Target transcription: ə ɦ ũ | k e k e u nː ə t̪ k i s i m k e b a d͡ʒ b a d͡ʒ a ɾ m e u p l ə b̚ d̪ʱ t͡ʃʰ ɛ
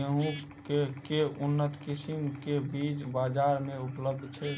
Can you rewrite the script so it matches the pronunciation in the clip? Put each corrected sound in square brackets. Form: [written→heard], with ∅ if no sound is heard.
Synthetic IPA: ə ɦ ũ | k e k e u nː ə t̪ k i s i m k e b [a→i] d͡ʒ b a d͡ʒ a ɾ m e u p l ə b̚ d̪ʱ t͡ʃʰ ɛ